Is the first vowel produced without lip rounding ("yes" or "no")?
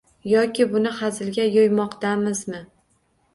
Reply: no